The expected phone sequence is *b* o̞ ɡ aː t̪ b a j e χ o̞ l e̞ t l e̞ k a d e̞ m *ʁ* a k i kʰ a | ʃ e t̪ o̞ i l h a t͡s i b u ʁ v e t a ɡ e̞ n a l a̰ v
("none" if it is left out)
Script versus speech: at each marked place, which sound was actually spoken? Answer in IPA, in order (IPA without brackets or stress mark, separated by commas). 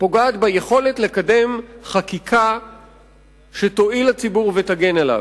p, χ